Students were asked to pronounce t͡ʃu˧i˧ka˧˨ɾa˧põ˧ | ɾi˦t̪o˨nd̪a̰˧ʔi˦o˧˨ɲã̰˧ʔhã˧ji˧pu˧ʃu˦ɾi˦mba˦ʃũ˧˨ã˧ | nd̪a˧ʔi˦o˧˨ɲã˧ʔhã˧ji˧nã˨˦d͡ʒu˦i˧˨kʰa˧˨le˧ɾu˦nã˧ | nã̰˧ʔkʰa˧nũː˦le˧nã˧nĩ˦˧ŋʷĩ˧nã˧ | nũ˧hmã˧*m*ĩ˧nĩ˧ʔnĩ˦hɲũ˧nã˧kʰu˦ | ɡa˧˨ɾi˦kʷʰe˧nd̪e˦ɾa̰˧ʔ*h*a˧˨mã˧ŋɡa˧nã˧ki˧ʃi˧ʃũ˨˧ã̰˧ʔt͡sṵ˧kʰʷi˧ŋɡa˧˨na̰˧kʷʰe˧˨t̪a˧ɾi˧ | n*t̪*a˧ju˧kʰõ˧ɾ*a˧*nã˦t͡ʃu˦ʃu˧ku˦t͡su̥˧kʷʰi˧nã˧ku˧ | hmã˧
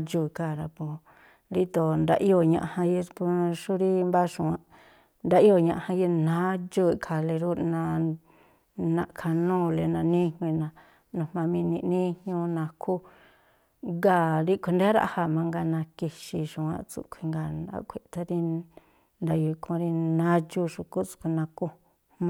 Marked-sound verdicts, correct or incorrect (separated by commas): correct, correct, incorrect, incorrect